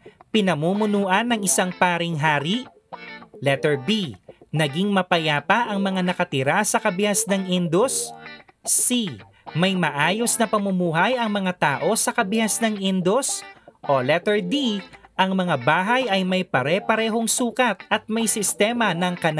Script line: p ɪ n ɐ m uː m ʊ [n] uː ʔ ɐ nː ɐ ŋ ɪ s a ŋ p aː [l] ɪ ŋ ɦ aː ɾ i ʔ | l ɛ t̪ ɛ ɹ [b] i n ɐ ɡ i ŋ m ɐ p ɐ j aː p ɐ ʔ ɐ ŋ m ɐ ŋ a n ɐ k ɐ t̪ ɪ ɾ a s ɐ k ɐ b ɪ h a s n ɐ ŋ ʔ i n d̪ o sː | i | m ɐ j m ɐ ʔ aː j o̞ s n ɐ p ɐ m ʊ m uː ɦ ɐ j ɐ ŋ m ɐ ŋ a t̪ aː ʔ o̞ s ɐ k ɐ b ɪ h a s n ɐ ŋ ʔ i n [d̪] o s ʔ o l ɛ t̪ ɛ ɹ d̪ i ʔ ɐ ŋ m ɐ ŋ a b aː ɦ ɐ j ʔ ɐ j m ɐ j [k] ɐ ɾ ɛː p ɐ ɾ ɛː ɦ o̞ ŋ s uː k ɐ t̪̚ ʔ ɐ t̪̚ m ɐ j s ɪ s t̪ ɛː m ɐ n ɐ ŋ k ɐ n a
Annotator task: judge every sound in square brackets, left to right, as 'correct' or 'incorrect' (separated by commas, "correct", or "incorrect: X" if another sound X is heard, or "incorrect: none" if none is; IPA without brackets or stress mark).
correct, incorrect: ɾ, correct, correct, incorrect: p